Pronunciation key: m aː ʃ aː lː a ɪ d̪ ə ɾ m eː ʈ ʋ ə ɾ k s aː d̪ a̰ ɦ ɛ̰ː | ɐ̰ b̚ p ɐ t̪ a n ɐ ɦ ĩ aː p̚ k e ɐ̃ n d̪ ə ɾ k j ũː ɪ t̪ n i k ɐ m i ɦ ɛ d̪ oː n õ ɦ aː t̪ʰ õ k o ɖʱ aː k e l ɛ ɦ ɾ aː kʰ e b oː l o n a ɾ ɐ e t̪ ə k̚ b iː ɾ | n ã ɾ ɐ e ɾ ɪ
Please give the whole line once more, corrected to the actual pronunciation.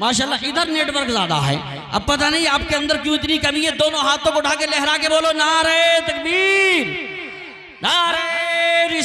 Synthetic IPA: m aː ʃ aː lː a ɪ d̪ ə ɾ n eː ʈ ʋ ə ɾ k z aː d̪ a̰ ɦ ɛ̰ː | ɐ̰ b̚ p ɐ t̪ a n ɐ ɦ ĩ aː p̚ k e ɐ̃ n d̪ ə ɾ k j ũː ɪ t̪ n i k ɐ m i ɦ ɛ d̪ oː n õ ɦ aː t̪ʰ õ k o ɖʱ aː k e l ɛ ɦ ɾ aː k e b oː l o n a ɾ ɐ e t̪ ɐ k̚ b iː ɾ | n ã ɾ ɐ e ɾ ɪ

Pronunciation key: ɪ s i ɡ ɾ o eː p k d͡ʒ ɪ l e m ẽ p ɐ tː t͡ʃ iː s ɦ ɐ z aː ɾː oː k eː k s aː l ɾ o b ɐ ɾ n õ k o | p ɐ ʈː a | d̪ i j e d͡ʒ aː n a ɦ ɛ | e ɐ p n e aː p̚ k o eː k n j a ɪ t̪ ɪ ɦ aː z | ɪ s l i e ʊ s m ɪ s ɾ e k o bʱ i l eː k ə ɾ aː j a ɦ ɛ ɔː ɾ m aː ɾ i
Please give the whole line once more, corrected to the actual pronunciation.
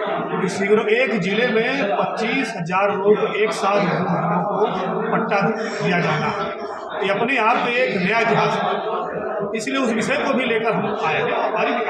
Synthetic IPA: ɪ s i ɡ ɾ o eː k d͡ʒ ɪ l e m ẽ p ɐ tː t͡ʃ iː s ɦ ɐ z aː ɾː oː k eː k s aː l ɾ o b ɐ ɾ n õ k o | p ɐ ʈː a | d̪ i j a d͡ʒ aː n a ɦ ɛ | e ɐ p n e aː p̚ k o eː k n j a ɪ t̪ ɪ ɦ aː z | ɪ s l i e ʊ s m ɪ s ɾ e k o bʱ i l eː k ə ɾ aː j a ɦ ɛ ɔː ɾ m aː ɾ i

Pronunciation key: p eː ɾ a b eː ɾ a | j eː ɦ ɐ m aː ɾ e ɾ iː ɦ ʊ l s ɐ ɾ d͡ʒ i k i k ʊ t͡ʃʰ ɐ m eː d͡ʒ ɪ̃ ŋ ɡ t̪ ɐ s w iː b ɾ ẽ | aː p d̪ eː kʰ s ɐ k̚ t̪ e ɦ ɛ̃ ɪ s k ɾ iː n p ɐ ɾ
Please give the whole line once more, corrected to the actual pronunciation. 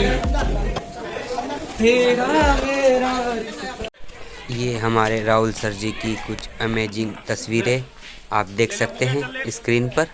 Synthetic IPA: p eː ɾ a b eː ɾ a | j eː ɦ ɐ m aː ɾ e ɾ aː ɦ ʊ l s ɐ ɾ d͡ʒ i k i k ʊ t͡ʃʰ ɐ m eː d͡ʒ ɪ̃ ŋ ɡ t̪ ɐ s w iː ɾ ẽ | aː p d̪ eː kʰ s ɐ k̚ t̪ e ɦ ɛ̃ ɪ s k ɾ iː n p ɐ ɾ

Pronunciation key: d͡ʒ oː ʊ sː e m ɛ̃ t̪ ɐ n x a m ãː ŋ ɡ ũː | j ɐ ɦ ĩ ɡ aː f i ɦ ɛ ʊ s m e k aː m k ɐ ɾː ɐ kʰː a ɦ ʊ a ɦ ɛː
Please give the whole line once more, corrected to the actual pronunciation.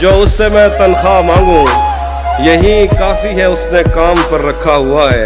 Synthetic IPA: d͡ʒ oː ʊ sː e m ɛ̃ t̪ ɐ n x a m ãː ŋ ɡ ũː | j ɐ ɦ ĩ k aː f i ɦ ɛ ʊ s n e k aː m p ɐ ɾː ɐ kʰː a ɦ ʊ a ɦ ɛː

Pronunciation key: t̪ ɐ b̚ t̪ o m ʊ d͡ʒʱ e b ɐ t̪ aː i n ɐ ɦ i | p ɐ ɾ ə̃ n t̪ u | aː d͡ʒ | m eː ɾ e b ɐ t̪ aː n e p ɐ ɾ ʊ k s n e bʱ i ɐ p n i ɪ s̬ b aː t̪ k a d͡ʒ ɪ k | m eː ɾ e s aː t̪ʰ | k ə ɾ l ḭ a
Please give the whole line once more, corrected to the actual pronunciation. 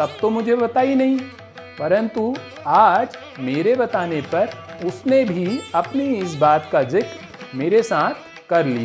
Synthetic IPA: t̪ ɐ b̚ t̪ o m ʊ d͡ʒʱ e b ɐ t̪ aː i n ɐ ɦ ĩ | p ɐ ɾ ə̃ n t̪ u | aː d͡ʒ | m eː ɾ e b ɐ t̪ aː n e p ɐ ɾ ʊ s n e bʱ i ɐ p n i ɪ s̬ b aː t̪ k a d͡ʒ ɪ k | m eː ɾ e s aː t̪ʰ | k ɐ ɾ l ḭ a

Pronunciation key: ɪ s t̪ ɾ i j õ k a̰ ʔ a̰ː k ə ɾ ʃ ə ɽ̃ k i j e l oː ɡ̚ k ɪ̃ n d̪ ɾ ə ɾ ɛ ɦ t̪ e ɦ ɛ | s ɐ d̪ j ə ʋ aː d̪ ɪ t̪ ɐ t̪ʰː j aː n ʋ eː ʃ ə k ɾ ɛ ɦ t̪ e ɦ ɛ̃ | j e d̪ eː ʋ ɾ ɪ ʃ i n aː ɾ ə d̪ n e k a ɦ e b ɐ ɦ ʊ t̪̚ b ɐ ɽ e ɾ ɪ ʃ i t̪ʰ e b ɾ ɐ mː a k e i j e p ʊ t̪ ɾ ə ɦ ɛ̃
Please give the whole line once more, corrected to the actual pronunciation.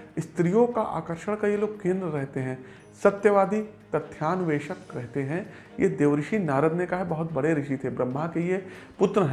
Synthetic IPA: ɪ s t̪ ɾ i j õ k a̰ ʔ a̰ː k ə ɾ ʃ ə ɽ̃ k a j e l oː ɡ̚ k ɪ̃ n d̪ ɾ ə ɾ ɛ ɦ t̪ e ɦ ɛ̃ | s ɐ t̪ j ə ʋ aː d̪ i t̪ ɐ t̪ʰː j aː n ʋ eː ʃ ə k ɾ ɛ ɦ t̪ e ɦ ɛ̃ | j e d̪ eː ʋ ɾ ɪ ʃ i n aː ɾ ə d̪ n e k a ɦ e b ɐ ɦ ʊ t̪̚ b ɐ ɽ e ɾ ɪ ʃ i t̪ʰ e b ɾ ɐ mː a k e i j e p ʊ t̪ ɾ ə ɦ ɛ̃

